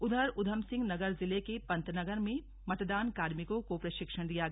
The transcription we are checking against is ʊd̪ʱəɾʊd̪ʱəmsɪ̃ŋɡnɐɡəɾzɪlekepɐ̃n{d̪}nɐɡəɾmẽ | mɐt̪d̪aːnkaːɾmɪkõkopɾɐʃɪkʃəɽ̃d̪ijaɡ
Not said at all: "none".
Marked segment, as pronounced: t̪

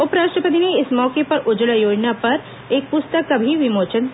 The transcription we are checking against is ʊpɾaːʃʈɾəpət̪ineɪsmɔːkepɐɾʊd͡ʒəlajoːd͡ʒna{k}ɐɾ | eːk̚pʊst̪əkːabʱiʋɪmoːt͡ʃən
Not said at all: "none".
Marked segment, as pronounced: p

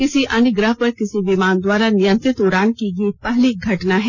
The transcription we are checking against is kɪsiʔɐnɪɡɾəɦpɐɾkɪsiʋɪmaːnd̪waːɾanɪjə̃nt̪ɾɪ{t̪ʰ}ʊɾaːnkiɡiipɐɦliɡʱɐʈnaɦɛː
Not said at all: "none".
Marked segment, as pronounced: t̪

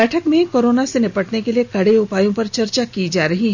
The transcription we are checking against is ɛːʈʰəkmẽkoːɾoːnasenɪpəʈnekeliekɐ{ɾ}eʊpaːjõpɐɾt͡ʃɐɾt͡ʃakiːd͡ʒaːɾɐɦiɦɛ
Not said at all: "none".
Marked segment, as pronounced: ɽ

